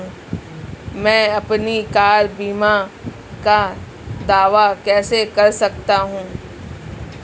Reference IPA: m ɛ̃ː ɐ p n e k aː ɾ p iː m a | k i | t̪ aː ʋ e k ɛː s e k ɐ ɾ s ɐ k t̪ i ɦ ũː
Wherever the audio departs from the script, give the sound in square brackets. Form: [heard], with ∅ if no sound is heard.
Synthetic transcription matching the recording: m ɛ̃ː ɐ p n [i] k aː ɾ [b] iː m a | k [a] | [d̪] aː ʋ [a] k ɛː s e k ɐ ɾ s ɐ k t̪ [a] ɦ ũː